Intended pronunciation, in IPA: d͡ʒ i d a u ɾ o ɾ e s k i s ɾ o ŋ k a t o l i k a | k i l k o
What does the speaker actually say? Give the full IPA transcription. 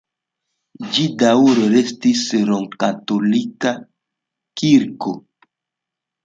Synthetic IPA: d͡ʒ i d a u ɾ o ɾ e s t i s ɾ o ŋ k a t o l i k a | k i ɾ k o